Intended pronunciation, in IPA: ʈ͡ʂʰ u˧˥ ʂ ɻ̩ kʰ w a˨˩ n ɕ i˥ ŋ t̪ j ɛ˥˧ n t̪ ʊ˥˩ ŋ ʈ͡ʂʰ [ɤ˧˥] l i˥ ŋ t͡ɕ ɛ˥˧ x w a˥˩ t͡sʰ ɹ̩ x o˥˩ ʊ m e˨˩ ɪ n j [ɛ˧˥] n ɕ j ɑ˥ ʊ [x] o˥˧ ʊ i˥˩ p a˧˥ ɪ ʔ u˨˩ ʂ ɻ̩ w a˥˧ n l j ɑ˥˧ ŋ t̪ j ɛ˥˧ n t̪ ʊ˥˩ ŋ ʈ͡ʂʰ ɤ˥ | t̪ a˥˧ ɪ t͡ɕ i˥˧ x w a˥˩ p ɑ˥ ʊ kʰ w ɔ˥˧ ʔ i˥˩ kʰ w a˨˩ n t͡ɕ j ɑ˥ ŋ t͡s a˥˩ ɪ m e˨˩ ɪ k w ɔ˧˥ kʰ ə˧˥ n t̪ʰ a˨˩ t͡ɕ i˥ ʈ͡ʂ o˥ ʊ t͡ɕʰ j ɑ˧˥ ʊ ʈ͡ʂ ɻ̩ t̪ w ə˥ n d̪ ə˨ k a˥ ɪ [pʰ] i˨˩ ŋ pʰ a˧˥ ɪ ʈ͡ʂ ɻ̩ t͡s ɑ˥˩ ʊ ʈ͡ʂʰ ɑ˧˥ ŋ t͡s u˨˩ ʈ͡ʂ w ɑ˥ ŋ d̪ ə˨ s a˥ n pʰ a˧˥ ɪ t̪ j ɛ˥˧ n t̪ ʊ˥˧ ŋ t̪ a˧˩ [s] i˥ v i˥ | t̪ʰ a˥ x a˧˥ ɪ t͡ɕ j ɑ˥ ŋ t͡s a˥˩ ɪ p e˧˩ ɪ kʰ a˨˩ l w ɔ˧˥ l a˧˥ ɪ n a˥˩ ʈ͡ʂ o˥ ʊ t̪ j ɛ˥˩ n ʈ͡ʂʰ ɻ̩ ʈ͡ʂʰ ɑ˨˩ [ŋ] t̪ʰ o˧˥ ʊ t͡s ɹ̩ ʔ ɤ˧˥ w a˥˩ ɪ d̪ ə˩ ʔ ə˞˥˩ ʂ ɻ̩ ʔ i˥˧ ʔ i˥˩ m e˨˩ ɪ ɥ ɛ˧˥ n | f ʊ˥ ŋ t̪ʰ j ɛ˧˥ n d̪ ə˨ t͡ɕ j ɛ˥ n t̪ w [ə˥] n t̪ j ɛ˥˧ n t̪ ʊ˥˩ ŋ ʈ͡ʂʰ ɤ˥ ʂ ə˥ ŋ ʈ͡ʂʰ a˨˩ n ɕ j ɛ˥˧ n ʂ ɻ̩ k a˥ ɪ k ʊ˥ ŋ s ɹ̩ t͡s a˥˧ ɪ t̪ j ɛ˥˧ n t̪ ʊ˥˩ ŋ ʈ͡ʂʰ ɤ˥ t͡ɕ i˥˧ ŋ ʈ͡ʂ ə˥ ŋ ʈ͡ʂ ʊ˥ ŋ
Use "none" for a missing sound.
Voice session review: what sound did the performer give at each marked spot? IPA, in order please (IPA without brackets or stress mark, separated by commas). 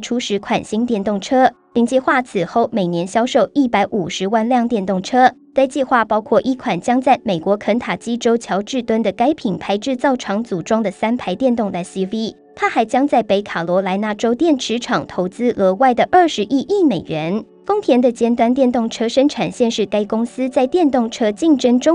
ɤ˥, ɛ˧˥, ʂ, pʰ, s, ŋ, a˥